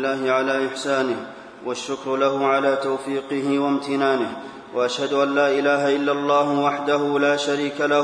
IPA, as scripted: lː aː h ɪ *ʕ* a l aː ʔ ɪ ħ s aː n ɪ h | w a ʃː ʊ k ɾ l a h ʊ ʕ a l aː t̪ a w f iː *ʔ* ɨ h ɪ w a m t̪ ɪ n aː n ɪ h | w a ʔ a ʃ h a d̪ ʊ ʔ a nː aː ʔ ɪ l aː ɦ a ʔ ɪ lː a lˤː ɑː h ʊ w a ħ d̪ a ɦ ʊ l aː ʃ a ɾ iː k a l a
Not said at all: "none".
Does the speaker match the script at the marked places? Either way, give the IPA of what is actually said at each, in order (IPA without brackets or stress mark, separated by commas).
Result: ʕ, q